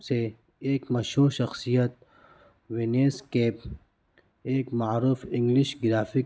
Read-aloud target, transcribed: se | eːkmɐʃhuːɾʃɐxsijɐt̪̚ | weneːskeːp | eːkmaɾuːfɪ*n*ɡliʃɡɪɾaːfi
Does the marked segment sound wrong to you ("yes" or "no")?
yes